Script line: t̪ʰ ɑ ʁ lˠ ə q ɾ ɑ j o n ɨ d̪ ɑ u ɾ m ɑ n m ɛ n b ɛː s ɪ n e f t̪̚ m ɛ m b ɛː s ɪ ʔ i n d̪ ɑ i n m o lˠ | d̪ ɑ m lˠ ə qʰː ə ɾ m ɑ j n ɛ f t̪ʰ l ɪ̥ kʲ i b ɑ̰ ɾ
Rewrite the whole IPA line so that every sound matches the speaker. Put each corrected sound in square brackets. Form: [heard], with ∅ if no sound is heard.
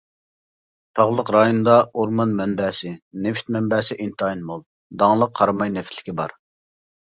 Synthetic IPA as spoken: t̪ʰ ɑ ʁ lˠ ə q ɾ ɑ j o n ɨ d̪ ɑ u ɾ m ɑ n m ɛ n b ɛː s ɪ n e f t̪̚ m ɛ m b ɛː s ɪ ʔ i n [t̪] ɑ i n m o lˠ | d̪ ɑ [ŋ] lˠ ə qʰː [ɑ] ɾ m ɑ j n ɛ f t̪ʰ l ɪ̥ kʲ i b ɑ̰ ɾ